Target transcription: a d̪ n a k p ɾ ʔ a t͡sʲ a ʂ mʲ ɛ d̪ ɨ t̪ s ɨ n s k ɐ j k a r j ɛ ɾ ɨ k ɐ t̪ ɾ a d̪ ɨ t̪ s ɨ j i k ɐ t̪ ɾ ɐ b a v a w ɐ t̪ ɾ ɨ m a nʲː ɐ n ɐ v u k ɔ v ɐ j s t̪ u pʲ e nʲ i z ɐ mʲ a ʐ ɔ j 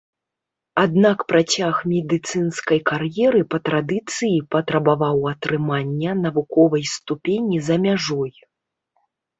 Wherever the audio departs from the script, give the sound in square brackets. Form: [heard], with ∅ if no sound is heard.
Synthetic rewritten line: a d̪ n a k p ɾ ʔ a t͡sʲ a [x] mʲ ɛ d̪ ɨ t̪ s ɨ n s k ɐ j k a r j ɛ ɾ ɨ [p] ɐ t̪ ɾ a d̪ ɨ t̪ s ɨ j i [p] ɐ t̪ ɾ ɐ b a v a w ɐ t̪ ɾ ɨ m a nʲː ɐ n ɐ v u k ɔ v ɐ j s t̪ u pʲ e nʲ i z ɐ mʲ a ʐ ɔ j